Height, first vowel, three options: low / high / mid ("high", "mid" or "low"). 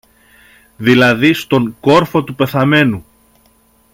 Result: high